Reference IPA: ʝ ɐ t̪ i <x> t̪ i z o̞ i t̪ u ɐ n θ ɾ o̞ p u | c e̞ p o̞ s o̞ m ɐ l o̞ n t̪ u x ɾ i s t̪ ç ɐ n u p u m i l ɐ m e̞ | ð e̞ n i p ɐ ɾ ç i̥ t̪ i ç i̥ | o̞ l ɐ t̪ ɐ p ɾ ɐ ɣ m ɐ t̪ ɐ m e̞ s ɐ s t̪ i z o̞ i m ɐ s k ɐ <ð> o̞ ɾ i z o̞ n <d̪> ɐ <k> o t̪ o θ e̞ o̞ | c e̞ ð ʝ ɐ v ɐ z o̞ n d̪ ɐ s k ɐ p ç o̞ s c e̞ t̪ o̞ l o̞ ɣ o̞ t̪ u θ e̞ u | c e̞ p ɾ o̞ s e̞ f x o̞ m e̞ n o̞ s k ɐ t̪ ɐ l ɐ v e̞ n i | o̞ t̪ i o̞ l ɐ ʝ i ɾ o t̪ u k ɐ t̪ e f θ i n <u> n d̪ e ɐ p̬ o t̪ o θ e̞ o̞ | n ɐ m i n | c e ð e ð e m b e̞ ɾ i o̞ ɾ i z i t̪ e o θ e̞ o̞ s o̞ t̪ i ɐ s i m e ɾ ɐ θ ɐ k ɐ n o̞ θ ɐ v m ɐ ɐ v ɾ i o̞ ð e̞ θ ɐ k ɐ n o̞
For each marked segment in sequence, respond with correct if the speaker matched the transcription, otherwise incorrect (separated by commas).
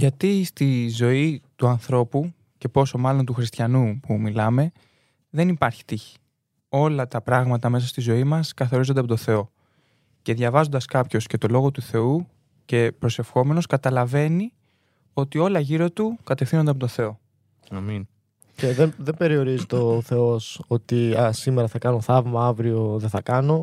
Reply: incorrect, incorrect, correct, incorrect, incorrect